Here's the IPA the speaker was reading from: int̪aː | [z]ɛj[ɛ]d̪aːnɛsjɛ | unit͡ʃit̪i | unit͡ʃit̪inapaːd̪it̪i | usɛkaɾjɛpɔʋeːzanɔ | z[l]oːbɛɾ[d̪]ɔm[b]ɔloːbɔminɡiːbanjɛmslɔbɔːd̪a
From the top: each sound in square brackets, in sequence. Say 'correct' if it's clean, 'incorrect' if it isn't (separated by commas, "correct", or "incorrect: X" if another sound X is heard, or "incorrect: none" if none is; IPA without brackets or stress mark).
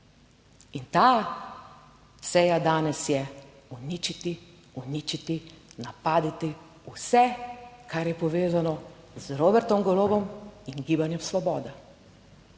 incorrect: s, incorrect: a, incorrect: ɾ, incorrect: t̪, incorrect: ɡ